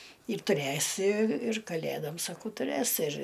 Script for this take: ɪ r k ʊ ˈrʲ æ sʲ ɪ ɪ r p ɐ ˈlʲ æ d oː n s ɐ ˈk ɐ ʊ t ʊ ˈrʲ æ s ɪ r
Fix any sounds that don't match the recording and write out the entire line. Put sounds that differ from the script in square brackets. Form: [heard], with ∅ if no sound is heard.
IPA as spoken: ɪ r [t] ʊ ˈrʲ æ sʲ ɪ ɪ r [k] ɐ ˈlʲ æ d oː [m] s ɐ ˈk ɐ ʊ t ʊ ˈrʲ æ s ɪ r

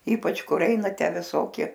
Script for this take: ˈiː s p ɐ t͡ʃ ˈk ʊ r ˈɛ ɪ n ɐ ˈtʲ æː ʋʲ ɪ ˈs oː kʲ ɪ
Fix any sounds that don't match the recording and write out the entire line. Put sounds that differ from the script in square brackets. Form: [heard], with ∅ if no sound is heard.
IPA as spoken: ˈiː [∅] p ɐ t͡ʃ ˈk ʊ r ˈɛ ɪ n ɐ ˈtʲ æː ʋʲ ɪ ˈs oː kʲ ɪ

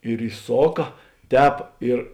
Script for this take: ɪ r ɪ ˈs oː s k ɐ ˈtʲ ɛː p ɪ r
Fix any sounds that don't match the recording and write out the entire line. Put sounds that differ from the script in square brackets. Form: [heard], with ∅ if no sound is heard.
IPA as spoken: ɪ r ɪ ˈs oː [∅] k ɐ ˈtʲ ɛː p ɪ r

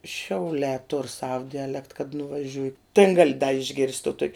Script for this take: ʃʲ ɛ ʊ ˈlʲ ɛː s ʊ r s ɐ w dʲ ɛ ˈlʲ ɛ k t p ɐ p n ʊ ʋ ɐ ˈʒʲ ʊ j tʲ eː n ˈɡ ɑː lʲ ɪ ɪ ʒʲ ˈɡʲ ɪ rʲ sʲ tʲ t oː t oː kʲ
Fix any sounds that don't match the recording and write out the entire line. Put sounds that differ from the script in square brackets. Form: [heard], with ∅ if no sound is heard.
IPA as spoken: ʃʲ ɛ ʊ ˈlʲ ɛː [t] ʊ r s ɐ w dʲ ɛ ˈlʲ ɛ k t [k] ɐ [t] n ʊ ʋ ɐ ˈʒʲ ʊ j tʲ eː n ˈɡ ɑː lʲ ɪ ɪ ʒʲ ˈɡʲ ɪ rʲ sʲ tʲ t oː t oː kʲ

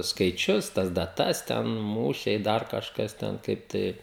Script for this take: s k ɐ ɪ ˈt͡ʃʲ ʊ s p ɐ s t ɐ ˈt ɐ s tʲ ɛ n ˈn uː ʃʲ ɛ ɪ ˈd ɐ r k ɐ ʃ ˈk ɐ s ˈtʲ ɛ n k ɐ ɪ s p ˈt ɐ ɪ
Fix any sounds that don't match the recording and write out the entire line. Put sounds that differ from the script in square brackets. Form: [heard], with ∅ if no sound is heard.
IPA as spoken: s k ɐ ɪ ˈt͡ʃʲ ʊ s [t] ɐ s [d] ɐ ˈt ɐ s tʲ ɛ n [ˈm] uː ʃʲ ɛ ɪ ˈd ɐ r k ɐ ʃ ˈk ɐ s ˈtʲ ɛ n k ɐ ɪ [∅] p ˈt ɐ ɪ

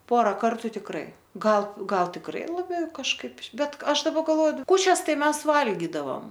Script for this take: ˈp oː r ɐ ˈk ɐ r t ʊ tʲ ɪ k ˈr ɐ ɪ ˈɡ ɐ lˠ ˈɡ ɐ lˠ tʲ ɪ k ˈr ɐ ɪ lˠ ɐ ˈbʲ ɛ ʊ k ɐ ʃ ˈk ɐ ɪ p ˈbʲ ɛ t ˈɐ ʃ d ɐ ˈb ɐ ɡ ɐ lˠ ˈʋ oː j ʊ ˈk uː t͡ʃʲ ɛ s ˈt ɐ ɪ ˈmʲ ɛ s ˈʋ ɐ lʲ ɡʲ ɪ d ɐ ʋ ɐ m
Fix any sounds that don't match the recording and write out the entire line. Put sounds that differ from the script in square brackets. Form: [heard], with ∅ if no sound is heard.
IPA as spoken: ˈp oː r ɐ ˈk ɐ r t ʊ tʲ ɪ k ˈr ɐ ɪ ˈɡ ɐ lˠ ˈɡ ɐ lˠ tʲ ɪ k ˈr ɐ ɪ lˠ ɐ ˈbʲ ɛ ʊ k ɐ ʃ ˈk ɐ ɪ p ˈbʲ ɛ t ˈɐ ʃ d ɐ ˈb ɐ ɡ ɐ lˠ ˈʋ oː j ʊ ˈk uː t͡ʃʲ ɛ s ˈt ɐ ɪ ˈmʲ ɛ s ˈʋ ɐ lʲ ɡʲ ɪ d ɐ ʋ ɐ m

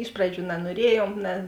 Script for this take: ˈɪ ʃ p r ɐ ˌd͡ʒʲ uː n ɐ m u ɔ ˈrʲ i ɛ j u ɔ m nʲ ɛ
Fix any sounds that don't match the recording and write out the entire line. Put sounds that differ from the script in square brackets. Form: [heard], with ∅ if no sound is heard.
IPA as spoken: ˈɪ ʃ p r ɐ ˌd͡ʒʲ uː n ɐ [n] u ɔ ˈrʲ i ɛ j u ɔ m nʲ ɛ

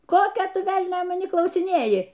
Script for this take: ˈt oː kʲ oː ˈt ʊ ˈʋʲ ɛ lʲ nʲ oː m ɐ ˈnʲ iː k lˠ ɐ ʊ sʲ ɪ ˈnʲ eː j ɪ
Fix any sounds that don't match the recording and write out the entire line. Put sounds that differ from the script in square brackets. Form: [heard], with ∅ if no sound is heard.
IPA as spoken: [ˈk] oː kʲ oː ˈt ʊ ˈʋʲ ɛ lʲ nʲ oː m ɐ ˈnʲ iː k lˠ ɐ ʊ sʲ ɪ ˈnʲ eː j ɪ

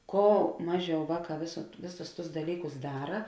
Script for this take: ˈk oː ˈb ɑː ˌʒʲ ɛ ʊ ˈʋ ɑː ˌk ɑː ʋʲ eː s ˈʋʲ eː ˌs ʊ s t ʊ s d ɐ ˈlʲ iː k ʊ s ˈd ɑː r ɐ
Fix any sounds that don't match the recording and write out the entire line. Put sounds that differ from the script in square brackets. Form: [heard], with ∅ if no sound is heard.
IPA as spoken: ˈk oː [ˈm] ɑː ˌʒʲ ɛ ʊ ˈʋ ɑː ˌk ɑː ʋʲ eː s ˈʋʲ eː ˌs ʊ s t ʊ s d ɐ ˈlʲ iː k ʊ s ˈd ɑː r ɐ

